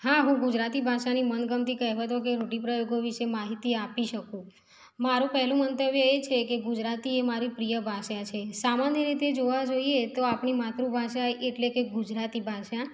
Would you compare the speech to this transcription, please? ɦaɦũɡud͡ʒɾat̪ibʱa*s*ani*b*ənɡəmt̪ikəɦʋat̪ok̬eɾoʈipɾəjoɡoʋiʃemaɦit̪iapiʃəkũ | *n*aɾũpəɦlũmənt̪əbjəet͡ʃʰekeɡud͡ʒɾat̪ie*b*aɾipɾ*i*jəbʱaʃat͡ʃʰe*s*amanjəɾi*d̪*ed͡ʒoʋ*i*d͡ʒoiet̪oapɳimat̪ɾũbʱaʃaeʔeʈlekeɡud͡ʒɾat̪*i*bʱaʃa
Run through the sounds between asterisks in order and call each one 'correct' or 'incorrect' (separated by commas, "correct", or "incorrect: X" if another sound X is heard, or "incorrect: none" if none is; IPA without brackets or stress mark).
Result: incorrect: ʃ, incorrect: m, incorrect: m, incorrect: m, correct, correct, incorrect: t̪, incorrect: a, correct